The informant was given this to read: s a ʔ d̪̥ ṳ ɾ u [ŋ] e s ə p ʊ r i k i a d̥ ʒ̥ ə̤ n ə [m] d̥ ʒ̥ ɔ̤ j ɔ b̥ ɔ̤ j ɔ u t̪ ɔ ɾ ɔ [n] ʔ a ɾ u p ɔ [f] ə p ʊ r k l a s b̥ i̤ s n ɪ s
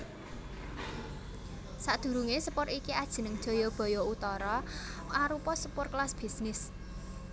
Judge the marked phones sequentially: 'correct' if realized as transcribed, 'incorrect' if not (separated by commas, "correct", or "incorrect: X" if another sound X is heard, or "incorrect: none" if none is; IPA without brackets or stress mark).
correct, incorrect: ŋ, incorrect: none, incorrect: s